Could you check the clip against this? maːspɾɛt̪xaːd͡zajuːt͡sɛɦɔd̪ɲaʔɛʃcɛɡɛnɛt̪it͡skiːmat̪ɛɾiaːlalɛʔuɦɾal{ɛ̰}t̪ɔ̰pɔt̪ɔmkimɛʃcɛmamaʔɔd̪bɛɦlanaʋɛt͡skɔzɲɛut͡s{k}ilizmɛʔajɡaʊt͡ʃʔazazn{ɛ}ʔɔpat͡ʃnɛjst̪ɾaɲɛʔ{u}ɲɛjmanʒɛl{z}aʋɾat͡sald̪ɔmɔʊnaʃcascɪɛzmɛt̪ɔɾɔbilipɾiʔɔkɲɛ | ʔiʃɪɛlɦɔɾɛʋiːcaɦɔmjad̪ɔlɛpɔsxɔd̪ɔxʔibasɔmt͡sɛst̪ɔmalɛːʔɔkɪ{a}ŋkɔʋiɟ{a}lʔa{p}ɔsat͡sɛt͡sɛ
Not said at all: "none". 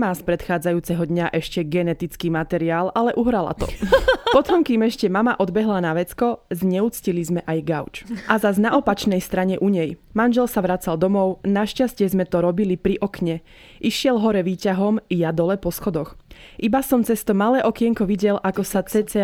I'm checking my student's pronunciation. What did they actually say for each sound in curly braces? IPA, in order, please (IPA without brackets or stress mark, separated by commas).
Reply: a̰, c, a, u, s, ɛ, ɛ, k